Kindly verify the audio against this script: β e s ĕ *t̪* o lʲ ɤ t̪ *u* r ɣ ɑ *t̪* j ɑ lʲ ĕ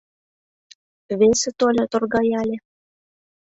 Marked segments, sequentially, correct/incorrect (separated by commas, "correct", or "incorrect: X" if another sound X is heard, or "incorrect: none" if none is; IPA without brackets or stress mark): correct, incorrect: o, incorrect: none